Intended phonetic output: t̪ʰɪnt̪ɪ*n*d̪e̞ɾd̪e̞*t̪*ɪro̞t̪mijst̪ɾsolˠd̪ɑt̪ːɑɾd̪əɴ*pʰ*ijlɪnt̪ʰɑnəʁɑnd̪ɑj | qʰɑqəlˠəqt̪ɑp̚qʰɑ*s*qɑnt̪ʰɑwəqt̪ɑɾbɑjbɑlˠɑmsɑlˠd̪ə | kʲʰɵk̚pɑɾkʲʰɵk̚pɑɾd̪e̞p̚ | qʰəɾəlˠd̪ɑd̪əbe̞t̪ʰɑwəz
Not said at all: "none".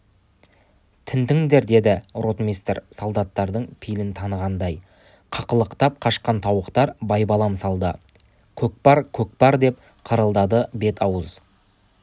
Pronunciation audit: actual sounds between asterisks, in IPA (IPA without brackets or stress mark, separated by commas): ŋ, d̪, pʰ, ʃ